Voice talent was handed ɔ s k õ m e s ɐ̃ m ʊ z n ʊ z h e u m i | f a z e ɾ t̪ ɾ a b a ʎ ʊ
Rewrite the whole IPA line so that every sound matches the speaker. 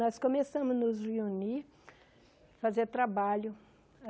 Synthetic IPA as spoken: ɔ s k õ m e s ɐ̃ m ʊ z n ʊ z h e u n i | f a z e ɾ t̪ ɾ a b a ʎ ʊ